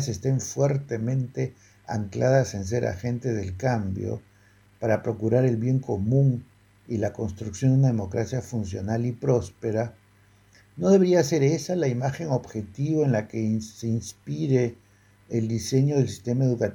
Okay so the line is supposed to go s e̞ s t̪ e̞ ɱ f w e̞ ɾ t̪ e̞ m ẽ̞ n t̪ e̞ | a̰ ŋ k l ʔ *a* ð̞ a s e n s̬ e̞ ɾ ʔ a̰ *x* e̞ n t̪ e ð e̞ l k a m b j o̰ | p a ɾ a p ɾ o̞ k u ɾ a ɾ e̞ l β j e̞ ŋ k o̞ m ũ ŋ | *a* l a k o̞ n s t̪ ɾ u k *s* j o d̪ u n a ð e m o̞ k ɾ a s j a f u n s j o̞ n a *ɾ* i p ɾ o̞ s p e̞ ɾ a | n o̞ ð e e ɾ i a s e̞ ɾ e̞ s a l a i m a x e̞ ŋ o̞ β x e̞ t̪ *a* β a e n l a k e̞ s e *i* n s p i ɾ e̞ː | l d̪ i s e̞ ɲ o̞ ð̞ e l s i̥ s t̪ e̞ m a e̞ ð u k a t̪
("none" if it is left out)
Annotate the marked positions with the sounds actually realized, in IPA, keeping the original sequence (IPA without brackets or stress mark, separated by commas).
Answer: a, x, i, s, l, i, i